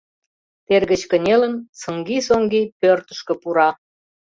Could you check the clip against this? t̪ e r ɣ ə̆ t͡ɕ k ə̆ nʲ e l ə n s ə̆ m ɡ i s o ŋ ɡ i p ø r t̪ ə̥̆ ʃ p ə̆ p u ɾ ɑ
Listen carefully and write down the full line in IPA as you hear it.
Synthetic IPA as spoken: t̪ e r ɣ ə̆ t͡ɕ k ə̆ nʲ e l ə n s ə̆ ŋ ɡ i s o ŋ ɡ i p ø r t̪ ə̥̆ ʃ k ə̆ p u ɾ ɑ